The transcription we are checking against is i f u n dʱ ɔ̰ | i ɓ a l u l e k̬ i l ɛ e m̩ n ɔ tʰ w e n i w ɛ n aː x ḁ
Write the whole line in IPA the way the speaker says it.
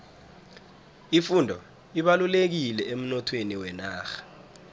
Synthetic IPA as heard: i f u n dʱ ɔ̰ | i ɓ a l u l e k̬ i l ɛ e m̩ n ɔ tʰ w e n i w ɛ n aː x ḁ